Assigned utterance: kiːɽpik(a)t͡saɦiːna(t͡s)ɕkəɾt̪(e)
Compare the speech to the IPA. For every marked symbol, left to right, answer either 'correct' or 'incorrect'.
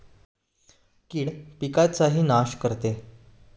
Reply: correct, incorrect: none, correct

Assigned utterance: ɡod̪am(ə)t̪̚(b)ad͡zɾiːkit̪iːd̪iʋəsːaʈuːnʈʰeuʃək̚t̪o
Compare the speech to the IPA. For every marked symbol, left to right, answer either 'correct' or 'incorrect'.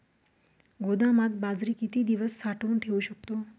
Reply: incorrect: a, correct

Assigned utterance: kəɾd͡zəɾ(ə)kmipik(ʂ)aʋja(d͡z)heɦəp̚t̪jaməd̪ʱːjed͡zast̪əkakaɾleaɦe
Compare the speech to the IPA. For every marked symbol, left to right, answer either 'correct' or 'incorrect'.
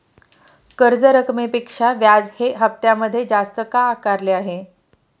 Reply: correct, correct, correct

